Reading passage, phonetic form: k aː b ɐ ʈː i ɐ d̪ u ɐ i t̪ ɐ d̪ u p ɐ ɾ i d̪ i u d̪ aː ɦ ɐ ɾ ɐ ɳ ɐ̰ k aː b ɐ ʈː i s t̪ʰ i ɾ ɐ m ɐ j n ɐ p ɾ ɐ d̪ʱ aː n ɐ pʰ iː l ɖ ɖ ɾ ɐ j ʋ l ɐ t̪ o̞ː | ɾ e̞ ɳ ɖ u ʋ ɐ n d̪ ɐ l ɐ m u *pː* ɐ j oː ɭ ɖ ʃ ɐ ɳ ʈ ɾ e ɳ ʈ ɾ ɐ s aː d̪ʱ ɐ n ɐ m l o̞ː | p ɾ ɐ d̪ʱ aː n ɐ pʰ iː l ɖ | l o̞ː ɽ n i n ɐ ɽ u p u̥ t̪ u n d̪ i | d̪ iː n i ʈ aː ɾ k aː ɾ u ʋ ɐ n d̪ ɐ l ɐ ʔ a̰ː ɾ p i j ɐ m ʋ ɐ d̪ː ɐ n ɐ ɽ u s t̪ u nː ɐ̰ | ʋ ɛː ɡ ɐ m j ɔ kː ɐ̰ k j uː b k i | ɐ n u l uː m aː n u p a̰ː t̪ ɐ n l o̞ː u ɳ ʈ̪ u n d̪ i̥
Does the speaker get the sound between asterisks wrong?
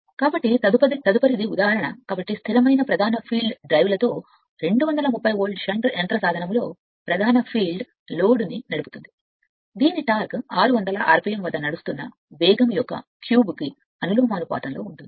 no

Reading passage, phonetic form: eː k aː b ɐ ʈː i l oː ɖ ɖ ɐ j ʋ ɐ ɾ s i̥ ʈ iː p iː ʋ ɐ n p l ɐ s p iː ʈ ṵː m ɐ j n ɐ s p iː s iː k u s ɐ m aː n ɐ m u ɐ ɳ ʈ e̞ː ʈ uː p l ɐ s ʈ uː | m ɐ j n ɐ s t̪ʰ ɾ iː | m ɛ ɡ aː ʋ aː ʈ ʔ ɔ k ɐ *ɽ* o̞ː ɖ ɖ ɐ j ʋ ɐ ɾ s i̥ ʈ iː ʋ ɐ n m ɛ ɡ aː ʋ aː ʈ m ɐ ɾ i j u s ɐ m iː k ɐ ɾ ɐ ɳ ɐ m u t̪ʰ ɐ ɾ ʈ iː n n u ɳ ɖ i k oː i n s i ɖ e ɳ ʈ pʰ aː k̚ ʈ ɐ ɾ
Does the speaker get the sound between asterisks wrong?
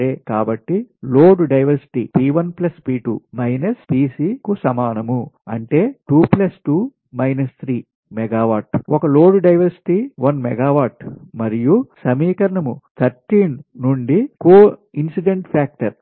yes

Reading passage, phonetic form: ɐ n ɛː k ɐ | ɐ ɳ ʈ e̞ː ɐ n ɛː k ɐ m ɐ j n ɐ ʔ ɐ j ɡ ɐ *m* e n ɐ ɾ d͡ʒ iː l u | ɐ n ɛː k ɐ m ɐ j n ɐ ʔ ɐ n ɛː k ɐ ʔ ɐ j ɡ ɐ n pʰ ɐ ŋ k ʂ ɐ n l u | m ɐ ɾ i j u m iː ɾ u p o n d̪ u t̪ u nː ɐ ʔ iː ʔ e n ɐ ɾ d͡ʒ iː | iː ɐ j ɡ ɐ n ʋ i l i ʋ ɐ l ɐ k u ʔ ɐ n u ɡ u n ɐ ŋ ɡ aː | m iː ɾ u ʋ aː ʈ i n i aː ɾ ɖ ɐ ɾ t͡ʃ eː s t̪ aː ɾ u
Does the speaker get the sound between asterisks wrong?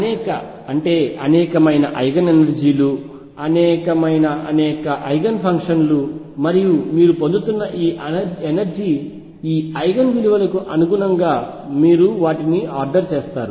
yes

